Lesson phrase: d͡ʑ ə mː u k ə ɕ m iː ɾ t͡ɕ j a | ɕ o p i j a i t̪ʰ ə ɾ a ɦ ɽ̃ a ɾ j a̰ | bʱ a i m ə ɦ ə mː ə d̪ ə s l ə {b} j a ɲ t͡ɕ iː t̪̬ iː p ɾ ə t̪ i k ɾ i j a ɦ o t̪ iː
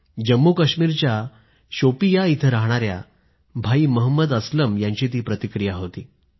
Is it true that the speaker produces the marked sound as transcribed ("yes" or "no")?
no